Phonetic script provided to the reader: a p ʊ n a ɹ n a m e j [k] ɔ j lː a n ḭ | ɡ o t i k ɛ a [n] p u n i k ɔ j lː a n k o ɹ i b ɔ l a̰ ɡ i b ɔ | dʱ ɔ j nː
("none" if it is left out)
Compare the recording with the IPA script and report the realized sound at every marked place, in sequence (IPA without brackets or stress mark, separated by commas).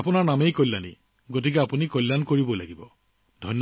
k, none